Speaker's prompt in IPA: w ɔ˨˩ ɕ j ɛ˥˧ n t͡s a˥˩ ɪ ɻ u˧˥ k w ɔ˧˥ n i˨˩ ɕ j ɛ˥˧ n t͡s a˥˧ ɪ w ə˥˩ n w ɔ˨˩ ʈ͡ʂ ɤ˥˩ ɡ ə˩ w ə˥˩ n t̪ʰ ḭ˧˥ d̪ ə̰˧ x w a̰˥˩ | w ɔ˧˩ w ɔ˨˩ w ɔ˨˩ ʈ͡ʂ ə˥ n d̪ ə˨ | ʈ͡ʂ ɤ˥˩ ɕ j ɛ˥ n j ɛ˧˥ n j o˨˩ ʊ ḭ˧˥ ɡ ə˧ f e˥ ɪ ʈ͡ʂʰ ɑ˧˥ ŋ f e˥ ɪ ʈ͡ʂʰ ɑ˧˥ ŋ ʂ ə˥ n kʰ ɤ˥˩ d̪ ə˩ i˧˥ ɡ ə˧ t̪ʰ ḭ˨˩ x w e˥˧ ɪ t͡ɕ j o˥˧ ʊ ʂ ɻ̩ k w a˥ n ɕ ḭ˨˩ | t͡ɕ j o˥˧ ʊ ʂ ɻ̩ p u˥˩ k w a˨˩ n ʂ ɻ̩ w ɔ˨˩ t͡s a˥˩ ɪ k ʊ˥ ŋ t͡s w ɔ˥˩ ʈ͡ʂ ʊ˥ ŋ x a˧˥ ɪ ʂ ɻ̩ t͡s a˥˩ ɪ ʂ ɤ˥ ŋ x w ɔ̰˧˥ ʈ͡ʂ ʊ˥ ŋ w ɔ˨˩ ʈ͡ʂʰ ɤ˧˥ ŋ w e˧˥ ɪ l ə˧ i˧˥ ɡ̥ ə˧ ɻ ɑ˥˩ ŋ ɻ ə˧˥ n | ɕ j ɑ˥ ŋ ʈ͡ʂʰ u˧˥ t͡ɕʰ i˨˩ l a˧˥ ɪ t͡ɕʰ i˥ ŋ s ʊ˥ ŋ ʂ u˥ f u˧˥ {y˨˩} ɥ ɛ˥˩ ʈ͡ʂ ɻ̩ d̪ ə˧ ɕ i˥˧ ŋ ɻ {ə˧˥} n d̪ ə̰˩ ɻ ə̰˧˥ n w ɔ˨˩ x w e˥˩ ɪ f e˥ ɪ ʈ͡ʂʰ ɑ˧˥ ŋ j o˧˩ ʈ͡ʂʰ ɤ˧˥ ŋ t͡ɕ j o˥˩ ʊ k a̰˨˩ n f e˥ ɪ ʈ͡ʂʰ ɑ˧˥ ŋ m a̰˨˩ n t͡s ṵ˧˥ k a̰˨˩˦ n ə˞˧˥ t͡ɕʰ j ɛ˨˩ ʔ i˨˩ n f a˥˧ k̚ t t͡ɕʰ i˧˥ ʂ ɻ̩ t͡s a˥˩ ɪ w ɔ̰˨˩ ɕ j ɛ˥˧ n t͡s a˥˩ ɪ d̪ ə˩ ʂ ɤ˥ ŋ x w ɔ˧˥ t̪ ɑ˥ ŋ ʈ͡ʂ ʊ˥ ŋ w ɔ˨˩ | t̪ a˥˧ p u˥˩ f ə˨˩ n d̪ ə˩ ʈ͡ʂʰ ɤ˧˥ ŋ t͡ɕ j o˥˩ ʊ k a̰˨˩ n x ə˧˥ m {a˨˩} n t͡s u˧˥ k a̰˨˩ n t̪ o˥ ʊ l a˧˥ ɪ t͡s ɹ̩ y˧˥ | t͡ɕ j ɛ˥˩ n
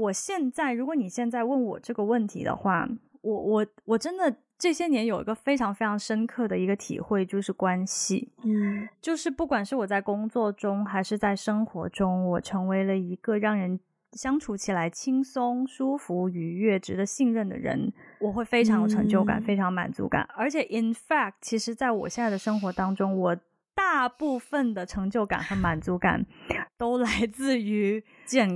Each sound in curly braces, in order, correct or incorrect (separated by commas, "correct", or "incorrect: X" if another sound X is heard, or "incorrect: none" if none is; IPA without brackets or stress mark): correct, incorrect: ə˥˩, correct